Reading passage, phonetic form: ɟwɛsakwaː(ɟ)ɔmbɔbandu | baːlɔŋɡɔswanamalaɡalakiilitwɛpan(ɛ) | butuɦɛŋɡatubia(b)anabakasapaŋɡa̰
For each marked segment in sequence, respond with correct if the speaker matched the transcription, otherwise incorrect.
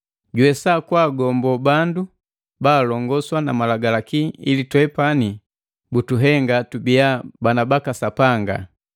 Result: incorrect, incorrect, correct

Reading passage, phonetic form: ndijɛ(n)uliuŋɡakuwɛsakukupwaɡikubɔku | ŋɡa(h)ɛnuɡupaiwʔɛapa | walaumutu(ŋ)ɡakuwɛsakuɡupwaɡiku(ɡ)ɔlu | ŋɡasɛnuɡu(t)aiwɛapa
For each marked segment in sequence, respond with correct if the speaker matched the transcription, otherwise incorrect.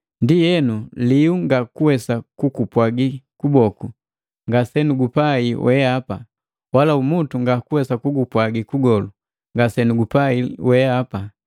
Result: correct, incorrect, correct, correct, incorrect

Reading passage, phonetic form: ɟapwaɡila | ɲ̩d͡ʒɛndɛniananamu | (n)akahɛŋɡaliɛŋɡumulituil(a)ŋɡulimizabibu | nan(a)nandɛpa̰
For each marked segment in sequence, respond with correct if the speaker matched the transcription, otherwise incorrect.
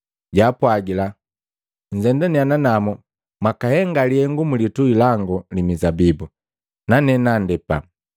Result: incorrect, correct, incorrect

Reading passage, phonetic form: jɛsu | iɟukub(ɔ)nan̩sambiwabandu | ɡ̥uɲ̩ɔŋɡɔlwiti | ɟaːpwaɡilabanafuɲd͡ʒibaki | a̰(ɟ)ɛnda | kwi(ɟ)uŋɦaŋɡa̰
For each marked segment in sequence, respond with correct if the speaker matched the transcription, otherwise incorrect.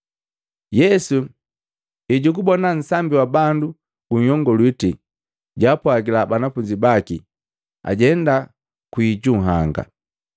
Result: correct, correct, correct

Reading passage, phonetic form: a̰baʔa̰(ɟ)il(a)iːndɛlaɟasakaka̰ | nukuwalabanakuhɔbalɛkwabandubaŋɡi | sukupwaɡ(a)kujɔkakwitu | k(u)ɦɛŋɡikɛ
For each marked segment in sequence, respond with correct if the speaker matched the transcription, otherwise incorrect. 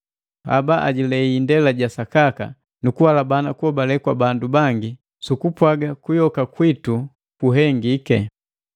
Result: correct, incorrect, correct, correct

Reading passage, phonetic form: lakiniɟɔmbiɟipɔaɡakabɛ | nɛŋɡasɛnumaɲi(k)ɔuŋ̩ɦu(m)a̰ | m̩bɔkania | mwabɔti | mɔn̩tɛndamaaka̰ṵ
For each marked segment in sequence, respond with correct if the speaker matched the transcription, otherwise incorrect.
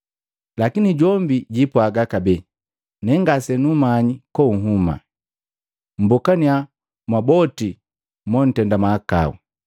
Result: correct, correct

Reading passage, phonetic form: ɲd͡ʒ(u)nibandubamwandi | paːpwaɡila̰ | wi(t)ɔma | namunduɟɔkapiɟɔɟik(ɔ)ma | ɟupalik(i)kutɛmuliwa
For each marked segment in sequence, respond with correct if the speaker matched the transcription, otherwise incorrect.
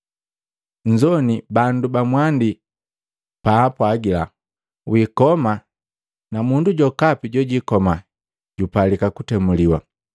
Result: incorrect, incorrect, correct, incorrect

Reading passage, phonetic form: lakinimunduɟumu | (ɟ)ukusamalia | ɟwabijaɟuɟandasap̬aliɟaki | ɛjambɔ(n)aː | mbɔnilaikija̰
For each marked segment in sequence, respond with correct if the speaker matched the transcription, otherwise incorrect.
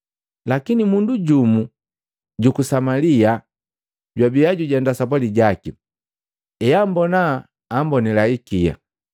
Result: correct, correct

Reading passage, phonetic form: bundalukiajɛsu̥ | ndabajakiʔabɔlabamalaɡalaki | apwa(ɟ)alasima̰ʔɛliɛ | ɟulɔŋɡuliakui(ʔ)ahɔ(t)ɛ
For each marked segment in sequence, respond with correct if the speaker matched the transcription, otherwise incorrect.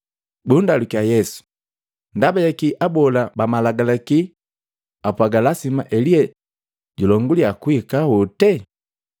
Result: incorrect, incorrect, correct

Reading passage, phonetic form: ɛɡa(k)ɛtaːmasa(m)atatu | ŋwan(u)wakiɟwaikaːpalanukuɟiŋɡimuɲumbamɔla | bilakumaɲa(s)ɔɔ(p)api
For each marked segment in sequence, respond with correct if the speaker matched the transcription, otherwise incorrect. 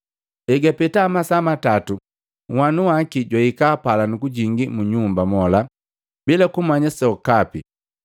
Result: incorrect, correct, correct, correct, incorrect

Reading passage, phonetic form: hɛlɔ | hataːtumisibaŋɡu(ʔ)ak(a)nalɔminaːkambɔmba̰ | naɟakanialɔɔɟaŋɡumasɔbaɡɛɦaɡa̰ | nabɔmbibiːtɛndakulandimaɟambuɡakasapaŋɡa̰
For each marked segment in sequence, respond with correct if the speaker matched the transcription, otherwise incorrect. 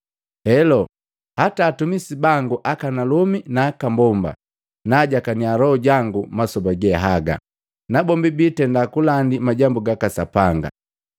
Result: correct, correct

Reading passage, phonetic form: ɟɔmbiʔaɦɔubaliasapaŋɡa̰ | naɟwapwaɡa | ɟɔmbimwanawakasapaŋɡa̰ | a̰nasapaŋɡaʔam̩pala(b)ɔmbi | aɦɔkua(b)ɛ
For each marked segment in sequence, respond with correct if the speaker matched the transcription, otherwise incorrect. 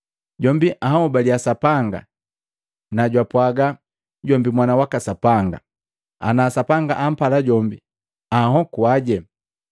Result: incorrect, incorrect

